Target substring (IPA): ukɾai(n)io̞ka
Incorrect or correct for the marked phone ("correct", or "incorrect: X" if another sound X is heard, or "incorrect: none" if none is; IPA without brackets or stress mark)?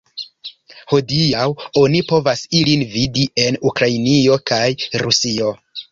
correct